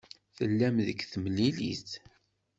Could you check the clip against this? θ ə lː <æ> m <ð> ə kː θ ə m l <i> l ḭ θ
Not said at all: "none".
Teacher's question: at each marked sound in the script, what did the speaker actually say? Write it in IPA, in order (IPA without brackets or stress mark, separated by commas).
æ, ð, i